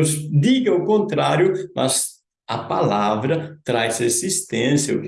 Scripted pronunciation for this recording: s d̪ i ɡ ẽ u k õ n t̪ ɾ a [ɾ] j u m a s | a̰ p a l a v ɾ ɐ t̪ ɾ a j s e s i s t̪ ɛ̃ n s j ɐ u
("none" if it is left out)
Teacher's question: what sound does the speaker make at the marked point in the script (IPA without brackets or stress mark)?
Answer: ɾ